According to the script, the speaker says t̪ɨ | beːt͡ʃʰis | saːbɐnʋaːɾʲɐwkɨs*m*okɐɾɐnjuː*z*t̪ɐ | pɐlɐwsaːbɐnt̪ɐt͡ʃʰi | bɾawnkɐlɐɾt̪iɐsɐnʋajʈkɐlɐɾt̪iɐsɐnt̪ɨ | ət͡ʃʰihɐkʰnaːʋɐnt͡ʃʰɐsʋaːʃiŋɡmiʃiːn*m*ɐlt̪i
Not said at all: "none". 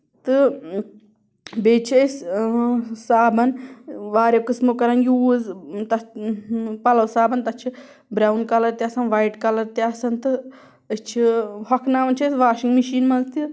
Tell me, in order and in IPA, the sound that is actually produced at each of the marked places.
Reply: m, z, m

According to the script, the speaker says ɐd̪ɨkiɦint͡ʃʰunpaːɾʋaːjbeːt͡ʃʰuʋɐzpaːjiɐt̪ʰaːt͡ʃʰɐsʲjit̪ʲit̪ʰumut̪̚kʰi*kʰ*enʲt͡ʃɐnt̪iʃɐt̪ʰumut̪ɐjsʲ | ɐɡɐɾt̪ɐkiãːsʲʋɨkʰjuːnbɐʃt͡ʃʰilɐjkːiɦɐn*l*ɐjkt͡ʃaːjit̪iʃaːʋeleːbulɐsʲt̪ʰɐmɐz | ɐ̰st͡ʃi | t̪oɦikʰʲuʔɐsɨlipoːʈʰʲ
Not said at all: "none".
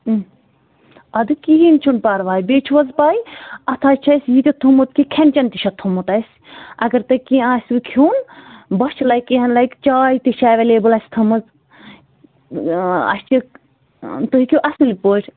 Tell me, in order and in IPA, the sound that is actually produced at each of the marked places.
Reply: kʰ, l

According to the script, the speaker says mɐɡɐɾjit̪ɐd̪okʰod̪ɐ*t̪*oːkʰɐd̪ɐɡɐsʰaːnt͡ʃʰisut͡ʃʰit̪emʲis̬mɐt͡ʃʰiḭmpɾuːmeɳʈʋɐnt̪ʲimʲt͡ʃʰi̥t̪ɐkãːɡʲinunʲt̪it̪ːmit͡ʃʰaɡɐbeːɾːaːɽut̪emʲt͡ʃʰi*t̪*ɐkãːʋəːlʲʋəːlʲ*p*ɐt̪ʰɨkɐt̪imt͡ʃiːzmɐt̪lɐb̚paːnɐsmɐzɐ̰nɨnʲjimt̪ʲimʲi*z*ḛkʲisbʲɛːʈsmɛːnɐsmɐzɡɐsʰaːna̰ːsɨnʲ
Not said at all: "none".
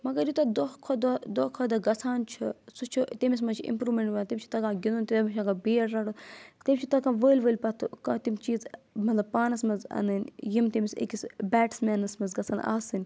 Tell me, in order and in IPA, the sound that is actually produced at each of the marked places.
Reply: d̪, t̪, p, s

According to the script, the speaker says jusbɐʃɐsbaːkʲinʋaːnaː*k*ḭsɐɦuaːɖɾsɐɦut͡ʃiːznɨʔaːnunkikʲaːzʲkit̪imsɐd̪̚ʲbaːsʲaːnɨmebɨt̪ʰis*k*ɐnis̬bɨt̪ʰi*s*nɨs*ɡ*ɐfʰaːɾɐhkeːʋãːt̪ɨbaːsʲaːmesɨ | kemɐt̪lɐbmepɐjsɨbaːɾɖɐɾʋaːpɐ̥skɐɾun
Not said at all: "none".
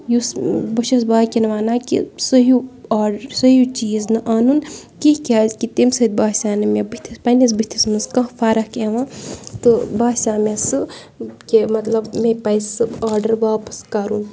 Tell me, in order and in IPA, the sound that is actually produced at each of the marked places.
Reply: k, p, s, k

